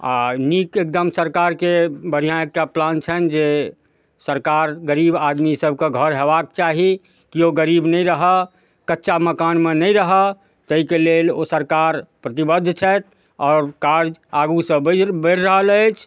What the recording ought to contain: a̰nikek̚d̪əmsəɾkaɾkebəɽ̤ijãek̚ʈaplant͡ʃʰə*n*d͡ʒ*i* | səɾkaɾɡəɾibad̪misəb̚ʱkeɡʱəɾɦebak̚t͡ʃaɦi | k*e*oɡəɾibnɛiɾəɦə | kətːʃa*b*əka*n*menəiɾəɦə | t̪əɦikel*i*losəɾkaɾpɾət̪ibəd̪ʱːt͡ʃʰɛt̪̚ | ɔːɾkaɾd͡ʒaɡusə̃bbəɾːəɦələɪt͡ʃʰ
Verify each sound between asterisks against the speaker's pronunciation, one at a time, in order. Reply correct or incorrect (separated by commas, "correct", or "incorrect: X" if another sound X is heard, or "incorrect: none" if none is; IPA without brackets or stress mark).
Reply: correct, incorrect: e, incorrect: i, incorrect: m, correct, incorrect: e